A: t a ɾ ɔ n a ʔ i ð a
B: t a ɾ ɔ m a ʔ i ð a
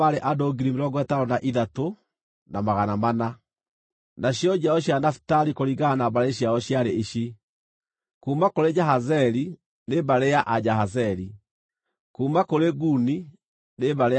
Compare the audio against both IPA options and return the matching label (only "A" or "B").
A